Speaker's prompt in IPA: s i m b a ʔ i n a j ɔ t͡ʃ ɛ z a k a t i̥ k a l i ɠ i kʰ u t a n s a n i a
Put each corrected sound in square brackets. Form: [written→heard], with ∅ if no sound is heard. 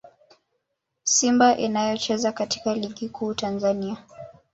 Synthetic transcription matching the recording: s i m b a ʔ i n a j ɔ t͡ʃ ɛ z a k a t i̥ k a l i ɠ i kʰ [u→uː] t a n [s→z] a n i a